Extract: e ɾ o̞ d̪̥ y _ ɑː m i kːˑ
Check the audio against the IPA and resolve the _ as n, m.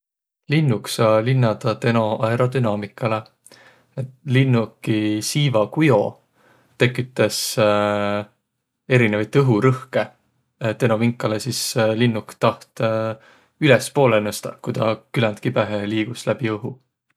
n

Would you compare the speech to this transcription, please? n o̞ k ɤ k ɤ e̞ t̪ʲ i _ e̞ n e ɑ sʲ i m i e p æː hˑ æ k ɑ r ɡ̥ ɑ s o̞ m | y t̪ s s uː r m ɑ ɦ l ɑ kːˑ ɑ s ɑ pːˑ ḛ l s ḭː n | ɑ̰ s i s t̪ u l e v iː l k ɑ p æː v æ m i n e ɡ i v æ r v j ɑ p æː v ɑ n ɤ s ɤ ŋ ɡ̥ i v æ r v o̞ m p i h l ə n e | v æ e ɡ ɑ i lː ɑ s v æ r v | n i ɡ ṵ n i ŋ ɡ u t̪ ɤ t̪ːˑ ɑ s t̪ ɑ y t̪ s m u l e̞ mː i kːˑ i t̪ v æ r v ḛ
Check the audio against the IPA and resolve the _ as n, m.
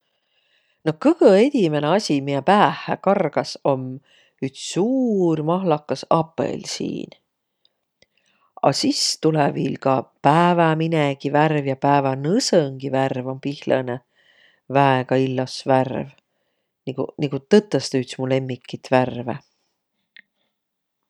m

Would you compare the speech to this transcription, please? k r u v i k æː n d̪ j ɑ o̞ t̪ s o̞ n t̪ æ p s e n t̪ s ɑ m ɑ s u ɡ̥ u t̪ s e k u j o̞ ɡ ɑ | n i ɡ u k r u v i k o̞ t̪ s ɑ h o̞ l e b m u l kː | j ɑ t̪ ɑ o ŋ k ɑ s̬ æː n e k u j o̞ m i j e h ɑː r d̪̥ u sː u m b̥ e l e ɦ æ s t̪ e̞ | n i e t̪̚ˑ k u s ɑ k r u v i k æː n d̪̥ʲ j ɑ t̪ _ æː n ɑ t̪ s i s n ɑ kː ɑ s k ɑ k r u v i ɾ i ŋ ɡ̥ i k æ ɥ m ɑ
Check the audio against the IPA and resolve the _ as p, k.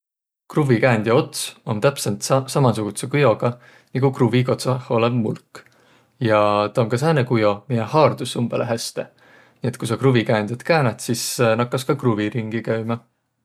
k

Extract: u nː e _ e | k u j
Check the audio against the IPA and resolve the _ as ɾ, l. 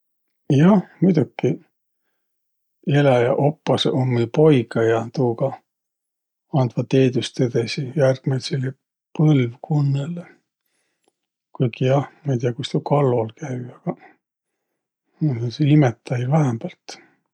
l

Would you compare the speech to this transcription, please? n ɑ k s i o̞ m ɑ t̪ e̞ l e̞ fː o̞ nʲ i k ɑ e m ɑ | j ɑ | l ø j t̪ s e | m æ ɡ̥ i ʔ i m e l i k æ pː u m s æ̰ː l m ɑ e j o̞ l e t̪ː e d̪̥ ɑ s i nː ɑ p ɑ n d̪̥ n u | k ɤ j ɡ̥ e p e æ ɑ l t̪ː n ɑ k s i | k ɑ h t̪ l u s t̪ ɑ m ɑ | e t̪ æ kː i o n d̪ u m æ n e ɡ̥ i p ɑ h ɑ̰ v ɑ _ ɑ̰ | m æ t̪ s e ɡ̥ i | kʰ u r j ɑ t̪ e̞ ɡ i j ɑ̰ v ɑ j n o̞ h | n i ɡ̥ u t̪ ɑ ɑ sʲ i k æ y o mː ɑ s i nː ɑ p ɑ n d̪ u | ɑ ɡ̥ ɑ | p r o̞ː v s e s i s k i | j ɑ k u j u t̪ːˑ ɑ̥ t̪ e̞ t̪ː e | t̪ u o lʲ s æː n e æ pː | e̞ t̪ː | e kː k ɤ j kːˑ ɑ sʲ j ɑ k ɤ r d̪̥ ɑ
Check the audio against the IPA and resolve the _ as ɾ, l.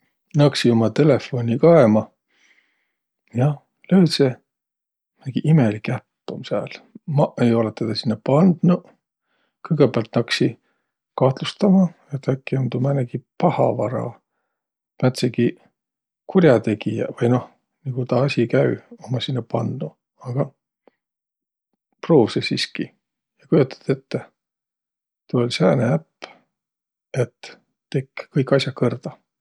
ɾ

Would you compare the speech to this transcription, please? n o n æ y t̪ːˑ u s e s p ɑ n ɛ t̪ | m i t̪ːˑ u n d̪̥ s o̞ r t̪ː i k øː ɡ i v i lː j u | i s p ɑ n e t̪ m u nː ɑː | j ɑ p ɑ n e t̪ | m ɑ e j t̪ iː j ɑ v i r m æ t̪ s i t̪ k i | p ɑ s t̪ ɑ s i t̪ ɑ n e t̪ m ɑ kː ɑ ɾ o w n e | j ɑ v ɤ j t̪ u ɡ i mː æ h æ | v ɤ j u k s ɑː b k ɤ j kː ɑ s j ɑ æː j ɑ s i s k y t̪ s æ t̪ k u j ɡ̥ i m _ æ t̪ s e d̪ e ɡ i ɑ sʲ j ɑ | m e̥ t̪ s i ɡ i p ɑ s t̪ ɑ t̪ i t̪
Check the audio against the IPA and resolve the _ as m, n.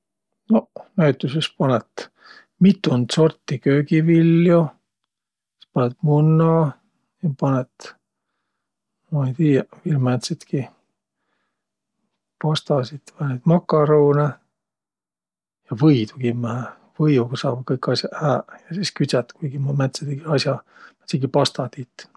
m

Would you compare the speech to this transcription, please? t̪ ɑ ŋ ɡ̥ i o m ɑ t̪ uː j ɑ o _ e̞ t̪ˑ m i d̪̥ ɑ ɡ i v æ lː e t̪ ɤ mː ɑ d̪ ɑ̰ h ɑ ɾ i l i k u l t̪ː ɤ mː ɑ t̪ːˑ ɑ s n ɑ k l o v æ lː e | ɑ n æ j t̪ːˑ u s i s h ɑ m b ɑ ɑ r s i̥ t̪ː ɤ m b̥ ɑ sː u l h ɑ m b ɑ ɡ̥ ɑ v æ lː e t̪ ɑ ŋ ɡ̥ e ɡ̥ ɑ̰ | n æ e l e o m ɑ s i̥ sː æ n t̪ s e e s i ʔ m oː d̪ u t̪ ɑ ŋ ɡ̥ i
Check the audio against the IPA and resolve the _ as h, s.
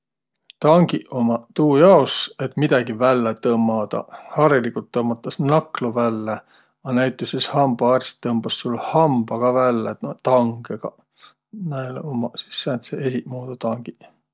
s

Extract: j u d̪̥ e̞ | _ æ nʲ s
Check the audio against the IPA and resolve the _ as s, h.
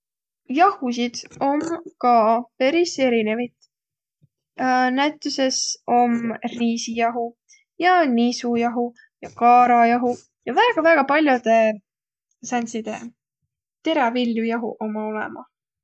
s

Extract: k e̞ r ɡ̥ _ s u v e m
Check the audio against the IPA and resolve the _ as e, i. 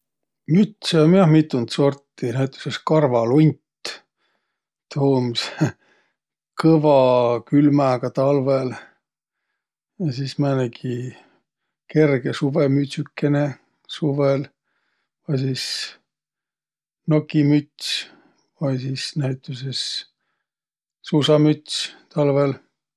e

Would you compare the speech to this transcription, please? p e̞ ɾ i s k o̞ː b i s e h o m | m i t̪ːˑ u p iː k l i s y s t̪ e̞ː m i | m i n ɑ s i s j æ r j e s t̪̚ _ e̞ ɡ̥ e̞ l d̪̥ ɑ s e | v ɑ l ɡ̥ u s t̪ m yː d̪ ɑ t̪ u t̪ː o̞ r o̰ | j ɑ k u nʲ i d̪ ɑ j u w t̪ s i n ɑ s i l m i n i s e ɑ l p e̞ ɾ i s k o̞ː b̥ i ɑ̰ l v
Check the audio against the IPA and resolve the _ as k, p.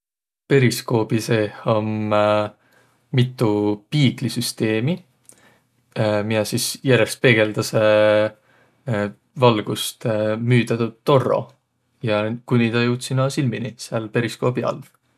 p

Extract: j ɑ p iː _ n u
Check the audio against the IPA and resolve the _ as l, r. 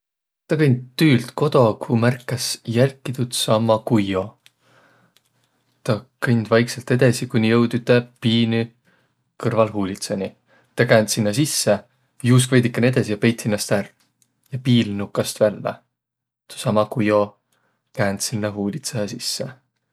l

